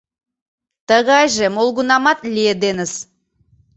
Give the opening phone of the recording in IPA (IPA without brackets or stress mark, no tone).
t̪